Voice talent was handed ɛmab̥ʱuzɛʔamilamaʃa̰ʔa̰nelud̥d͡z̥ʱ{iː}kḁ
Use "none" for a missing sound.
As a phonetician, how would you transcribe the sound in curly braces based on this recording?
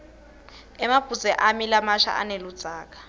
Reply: aː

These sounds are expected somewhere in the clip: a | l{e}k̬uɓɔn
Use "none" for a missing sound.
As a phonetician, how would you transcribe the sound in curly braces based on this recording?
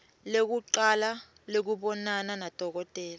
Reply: e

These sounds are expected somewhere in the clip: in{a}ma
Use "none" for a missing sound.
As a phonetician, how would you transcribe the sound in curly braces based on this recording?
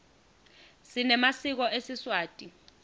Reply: ɛ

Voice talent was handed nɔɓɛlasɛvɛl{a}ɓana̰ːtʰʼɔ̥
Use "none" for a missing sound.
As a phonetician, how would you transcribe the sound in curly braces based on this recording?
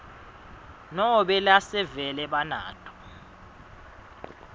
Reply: ɛ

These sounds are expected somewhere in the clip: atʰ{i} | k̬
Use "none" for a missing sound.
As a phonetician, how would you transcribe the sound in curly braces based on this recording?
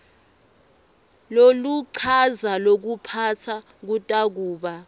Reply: a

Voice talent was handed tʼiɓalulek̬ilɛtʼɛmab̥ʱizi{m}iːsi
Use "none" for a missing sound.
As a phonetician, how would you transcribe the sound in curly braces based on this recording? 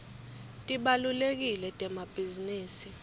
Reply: n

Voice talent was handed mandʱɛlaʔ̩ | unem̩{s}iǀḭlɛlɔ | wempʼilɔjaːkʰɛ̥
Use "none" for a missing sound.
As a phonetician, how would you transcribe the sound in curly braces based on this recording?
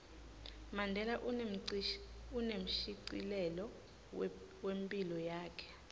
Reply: ʃ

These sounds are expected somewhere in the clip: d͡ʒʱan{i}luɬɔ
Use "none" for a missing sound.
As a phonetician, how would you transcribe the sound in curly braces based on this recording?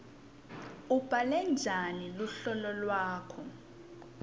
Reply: i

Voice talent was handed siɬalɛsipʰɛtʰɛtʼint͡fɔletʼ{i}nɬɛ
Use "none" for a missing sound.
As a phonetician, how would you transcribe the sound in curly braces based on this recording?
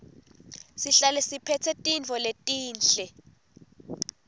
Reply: iː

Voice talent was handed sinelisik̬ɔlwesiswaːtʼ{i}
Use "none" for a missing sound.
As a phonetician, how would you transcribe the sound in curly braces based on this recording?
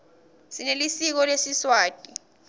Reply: i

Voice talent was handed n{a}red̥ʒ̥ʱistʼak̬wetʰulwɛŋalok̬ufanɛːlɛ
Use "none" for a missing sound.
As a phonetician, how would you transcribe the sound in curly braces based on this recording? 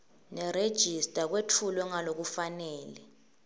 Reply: ɛ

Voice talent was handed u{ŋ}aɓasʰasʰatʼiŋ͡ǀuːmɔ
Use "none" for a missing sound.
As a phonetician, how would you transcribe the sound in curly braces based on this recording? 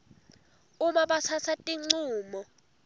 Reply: m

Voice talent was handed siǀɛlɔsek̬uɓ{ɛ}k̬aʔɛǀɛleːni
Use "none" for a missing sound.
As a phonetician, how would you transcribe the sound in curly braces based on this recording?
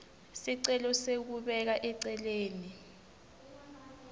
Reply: ɛ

